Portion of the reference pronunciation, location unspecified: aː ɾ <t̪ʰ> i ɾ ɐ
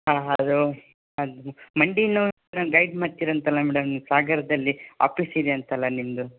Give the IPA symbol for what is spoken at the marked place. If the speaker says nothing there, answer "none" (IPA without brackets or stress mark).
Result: t̪